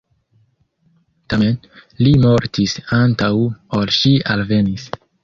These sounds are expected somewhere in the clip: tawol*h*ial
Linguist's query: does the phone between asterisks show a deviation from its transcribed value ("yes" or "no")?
yes